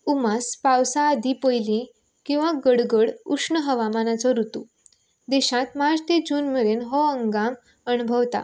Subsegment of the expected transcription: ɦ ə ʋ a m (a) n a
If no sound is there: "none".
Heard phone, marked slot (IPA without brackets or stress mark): a